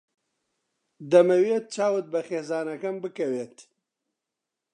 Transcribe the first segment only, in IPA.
d̪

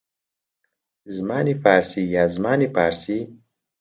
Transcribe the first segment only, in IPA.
z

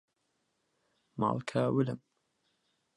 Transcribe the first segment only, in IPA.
m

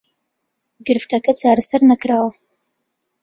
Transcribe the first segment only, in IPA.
ɡ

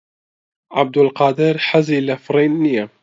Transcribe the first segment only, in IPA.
ʕ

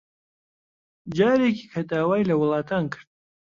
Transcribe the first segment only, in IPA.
d͡ʒ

